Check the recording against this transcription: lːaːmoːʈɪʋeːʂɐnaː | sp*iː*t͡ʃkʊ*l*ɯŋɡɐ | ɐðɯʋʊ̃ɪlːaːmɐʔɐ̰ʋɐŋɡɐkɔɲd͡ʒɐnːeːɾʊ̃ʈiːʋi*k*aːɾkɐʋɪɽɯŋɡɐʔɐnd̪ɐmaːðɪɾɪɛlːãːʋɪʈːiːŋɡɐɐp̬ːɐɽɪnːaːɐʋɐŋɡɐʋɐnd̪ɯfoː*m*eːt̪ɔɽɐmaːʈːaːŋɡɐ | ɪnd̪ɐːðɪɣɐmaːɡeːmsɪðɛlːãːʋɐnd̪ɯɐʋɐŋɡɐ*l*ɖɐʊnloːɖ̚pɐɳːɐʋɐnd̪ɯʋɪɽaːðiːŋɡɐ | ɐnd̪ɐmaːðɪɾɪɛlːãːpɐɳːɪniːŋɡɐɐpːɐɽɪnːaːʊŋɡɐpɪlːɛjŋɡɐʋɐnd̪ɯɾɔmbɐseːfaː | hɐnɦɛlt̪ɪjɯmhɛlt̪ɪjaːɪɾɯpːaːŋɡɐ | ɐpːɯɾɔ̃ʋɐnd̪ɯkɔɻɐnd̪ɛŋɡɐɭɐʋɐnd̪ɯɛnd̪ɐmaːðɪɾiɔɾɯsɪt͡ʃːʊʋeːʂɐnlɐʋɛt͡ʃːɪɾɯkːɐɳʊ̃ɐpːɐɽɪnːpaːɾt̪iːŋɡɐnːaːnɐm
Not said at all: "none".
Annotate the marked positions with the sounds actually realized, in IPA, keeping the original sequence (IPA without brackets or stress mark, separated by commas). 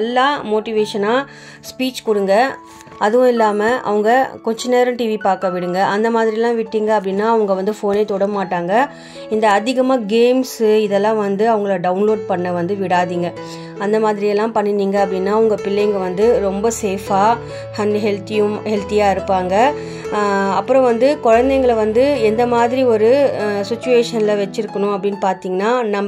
iː, ɽ, p, n, ɭ